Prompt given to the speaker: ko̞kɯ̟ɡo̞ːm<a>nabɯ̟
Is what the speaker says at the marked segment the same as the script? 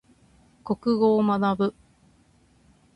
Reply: yes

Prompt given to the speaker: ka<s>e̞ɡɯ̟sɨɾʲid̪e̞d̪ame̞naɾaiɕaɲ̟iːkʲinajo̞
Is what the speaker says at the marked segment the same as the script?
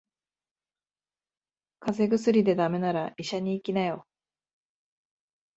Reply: no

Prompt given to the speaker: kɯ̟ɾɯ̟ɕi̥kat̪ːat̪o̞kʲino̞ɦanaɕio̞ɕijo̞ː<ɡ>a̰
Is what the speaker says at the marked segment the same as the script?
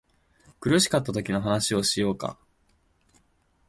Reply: no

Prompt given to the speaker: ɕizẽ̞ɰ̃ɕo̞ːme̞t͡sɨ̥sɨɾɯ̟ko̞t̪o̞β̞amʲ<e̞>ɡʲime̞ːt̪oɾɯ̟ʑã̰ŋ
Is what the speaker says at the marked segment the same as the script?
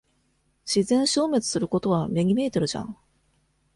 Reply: yes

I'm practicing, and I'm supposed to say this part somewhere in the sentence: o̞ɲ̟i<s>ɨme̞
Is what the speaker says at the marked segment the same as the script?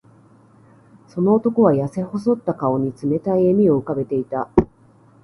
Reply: no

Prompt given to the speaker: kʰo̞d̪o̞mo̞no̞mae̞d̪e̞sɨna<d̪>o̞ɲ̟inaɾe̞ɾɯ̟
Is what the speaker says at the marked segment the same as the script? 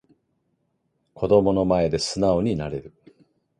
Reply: no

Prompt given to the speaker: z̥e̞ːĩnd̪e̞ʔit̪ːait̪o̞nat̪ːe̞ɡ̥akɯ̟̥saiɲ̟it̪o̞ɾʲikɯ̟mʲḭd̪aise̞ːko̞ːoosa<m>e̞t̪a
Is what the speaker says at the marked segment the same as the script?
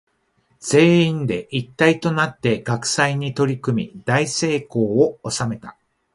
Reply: yes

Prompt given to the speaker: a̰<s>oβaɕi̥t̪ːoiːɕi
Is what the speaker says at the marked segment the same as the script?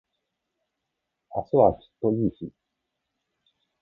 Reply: yes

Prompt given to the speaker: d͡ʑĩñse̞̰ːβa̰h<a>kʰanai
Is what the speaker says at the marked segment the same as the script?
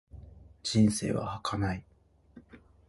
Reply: yes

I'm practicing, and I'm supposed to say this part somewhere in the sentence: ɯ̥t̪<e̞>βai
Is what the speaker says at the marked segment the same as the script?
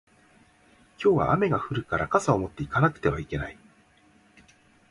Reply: yes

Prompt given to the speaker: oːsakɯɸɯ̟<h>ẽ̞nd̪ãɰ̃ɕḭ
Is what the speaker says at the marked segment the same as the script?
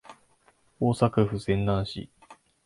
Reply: no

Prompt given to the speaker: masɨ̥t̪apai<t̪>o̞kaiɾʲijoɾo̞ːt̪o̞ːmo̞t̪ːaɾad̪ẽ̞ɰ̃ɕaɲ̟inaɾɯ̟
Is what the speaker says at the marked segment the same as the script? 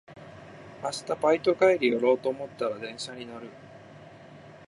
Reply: yes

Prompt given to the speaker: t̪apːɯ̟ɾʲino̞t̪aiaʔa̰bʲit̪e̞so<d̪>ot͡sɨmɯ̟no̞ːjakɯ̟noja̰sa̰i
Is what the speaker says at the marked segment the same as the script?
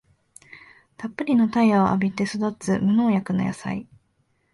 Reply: yes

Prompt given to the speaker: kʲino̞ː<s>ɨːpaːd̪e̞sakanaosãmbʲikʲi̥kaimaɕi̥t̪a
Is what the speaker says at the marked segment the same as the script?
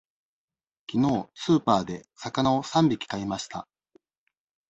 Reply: yes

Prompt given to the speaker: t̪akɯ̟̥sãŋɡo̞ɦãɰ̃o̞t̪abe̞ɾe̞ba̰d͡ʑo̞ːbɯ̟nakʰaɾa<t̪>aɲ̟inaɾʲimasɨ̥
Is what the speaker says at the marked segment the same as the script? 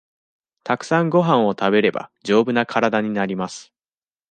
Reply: no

